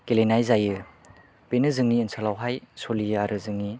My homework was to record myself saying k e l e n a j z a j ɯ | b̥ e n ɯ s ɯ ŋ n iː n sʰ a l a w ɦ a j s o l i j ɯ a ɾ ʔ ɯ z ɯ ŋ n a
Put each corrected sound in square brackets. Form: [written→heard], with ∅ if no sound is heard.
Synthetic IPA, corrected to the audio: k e l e n a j z a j ɯ | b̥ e n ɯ [s→z] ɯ ŋ n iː n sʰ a l a w ɦ a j s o l i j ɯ a ɾ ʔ ɯ z ɯ ŋ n [a→i]